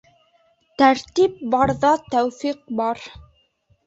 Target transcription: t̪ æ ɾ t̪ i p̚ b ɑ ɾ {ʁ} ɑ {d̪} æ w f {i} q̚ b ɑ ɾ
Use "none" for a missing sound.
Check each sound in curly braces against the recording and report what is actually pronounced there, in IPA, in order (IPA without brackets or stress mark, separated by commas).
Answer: ð, t̪, i